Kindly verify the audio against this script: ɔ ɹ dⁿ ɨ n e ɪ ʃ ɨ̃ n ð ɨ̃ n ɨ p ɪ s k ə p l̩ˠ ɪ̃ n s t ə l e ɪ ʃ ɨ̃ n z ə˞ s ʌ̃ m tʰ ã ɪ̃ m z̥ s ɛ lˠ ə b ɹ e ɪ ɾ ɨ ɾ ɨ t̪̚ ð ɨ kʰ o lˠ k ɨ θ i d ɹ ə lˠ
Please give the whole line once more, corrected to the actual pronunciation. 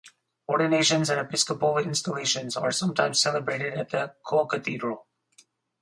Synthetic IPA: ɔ ɹ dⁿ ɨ n e ɪ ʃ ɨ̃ n z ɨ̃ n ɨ p ɪ s k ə p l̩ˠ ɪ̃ n s t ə l e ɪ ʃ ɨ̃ n z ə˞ s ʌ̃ m tʰ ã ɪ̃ m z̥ s ɛ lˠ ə b ɹ e ɪ ɾ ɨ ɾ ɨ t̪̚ ð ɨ kʰ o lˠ k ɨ θ i d ɹ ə lˠ